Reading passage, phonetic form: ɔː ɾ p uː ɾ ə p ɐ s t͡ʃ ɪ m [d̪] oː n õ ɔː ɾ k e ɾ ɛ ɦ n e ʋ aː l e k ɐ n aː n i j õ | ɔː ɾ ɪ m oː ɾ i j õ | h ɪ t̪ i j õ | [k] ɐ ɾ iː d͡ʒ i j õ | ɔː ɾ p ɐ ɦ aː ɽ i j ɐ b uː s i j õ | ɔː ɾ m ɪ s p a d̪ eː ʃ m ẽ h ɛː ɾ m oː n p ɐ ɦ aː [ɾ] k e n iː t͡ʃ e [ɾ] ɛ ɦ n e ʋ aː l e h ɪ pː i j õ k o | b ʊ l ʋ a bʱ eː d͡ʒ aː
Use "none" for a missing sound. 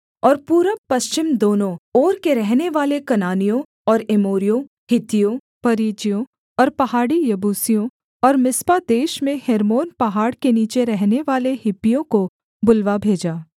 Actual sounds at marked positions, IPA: d̪, p, ɽ, ɾ

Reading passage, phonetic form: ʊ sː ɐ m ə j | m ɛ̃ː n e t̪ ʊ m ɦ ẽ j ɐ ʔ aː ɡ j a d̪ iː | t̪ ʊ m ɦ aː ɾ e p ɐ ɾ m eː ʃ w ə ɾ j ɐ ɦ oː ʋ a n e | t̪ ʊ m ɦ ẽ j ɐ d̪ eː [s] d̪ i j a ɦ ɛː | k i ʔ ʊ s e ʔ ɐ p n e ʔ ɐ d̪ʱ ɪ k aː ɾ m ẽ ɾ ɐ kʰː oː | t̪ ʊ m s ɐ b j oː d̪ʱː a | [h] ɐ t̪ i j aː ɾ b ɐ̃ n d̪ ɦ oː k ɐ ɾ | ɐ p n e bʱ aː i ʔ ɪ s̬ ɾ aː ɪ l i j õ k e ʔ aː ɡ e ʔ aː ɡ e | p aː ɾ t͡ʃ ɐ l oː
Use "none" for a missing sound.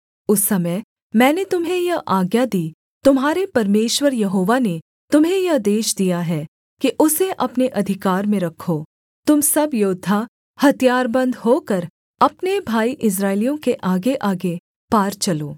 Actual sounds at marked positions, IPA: ʃ, h

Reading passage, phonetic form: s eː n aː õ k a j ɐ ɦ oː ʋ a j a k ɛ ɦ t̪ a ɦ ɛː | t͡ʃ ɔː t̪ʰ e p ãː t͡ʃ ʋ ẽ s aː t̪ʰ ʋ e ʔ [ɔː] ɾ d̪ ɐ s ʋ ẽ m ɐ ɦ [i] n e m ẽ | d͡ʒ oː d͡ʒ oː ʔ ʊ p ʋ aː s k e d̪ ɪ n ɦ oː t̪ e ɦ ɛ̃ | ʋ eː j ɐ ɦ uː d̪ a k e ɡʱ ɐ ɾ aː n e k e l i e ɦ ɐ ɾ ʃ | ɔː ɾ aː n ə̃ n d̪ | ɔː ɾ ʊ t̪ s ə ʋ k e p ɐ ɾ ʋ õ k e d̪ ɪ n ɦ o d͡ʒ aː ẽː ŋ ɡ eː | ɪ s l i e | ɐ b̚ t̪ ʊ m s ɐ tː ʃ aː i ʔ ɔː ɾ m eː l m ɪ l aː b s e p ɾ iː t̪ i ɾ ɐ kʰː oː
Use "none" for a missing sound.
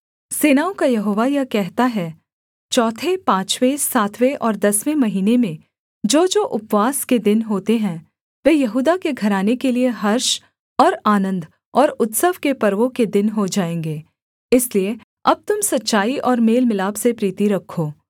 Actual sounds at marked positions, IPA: ɔː, iː

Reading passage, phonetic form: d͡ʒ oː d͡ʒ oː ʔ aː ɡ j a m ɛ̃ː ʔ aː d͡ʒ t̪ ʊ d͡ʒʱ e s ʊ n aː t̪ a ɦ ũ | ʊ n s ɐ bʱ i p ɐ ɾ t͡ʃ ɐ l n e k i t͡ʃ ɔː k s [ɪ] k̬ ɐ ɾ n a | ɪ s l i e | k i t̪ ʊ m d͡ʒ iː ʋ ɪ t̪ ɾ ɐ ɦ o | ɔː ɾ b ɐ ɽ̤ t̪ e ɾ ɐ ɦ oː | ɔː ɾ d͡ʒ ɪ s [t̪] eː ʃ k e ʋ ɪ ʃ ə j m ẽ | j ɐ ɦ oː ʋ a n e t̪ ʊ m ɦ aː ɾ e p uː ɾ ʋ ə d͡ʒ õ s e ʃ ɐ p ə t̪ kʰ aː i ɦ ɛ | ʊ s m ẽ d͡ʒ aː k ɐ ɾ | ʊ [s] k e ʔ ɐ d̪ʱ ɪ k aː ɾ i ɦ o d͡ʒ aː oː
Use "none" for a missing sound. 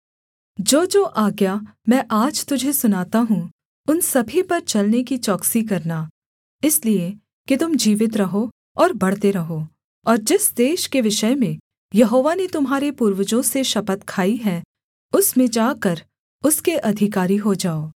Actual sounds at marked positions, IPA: i, d̪, s

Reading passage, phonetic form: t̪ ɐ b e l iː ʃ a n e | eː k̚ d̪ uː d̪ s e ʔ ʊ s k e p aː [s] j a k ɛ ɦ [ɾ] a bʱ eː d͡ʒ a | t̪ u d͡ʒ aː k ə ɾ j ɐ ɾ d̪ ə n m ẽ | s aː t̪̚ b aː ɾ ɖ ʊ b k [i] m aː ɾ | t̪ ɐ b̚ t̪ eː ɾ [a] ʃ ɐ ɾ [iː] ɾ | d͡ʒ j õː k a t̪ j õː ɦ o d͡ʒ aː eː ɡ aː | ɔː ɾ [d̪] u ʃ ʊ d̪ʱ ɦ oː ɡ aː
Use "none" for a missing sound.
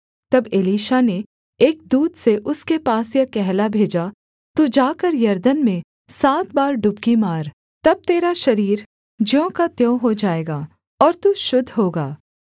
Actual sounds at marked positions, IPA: s, l, i, a, iː, t̪

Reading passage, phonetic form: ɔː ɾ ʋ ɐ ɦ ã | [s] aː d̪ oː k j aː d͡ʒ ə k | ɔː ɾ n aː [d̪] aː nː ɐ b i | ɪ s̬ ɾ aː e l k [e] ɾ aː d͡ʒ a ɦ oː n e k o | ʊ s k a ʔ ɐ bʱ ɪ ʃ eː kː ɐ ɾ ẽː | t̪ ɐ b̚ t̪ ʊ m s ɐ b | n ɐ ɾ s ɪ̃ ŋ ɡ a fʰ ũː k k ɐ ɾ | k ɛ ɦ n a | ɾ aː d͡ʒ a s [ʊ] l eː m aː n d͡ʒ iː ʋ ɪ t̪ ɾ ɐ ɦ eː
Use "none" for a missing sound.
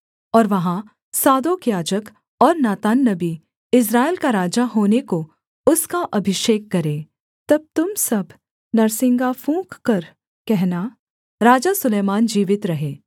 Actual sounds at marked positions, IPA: s, t̪, a, ʊ

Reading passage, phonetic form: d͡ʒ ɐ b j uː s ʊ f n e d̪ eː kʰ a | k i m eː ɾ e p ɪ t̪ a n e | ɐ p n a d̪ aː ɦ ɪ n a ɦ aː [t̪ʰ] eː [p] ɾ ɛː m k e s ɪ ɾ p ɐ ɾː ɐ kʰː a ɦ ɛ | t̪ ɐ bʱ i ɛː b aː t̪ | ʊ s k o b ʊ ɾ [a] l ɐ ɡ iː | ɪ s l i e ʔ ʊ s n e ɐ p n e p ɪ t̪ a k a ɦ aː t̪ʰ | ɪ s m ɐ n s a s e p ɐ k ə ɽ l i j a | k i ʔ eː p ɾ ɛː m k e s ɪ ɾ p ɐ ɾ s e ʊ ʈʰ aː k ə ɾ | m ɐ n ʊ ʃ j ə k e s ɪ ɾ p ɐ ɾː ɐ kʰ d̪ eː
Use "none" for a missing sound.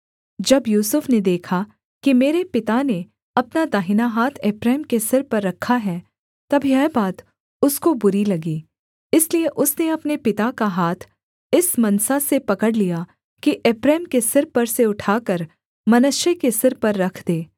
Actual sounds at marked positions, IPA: t̪ʰ, p, i

